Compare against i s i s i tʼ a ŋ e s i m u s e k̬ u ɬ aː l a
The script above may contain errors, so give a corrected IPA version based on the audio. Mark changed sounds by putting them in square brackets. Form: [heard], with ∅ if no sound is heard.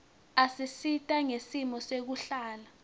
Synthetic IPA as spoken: [a] s i s i tʼ a ŋ e s i m [ɔ] s e k̬ u ɬ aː l a